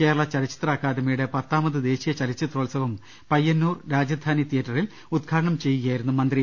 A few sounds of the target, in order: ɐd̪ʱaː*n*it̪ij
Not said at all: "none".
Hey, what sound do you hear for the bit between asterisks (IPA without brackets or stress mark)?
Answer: n